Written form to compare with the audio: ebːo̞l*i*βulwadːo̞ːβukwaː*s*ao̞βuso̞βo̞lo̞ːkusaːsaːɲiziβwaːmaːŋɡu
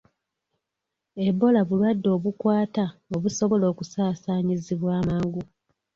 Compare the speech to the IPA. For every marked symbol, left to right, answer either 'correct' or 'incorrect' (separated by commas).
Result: incorrect, incorrect